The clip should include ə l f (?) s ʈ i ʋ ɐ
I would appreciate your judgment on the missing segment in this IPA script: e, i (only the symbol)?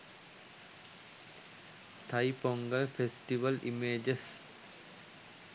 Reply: e